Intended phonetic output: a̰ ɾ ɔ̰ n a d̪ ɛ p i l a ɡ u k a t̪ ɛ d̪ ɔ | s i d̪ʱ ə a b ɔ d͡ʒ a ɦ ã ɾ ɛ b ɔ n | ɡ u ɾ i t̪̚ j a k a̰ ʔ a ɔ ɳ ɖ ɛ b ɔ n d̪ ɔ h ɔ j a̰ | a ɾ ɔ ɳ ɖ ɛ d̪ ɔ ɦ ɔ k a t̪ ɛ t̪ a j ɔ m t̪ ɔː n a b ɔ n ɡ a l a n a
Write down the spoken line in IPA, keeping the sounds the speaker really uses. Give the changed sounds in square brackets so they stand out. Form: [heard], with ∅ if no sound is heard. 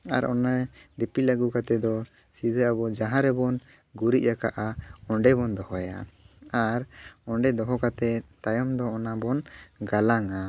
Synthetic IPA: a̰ ɾ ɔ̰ n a d̪ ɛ p i l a ɡ u k a t̪ ɛ d̪ ɔ | s i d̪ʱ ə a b ɔ d͡ʒ a ɦ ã ɾ ɛ b ɔ n | ɡ u ɾ i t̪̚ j a k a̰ ʔ a ɔ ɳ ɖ ɛ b ɔ n d̪ ɔ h ɔ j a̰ | a ɾ ɔ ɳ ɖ ɛ d̪ ɔ ɦ ɔ k a t̪ ɛ t̪ a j ɔ m [d̪] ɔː n a b ɔ n ɡ a l a [ŋ] a